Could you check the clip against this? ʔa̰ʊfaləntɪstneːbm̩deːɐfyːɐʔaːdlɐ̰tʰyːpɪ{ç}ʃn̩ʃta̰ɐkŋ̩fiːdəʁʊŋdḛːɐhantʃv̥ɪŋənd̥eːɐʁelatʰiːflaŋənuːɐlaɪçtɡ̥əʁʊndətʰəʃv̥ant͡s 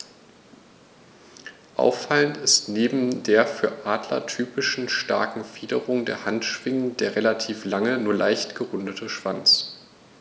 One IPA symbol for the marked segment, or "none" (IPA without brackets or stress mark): none